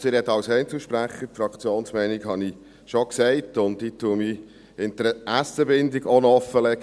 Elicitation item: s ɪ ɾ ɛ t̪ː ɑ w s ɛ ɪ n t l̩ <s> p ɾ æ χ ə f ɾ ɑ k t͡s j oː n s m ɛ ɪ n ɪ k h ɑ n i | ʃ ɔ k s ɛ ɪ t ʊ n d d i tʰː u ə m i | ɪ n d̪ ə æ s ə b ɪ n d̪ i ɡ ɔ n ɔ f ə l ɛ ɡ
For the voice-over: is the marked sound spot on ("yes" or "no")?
no